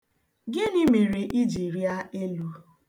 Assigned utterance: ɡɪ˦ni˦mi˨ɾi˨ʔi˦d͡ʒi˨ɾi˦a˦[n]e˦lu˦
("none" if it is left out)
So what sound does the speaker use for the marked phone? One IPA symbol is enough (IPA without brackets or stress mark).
none